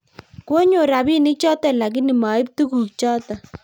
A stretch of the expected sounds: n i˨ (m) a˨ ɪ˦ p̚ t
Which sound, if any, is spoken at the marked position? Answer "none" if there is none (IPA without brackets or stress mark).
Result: m